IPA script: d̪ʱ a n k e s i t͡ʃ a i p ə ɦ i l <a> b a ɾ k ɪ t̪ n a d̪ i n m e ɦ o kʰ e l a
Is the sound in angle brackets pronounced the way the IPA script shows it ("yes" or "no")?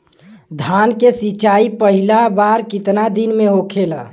yes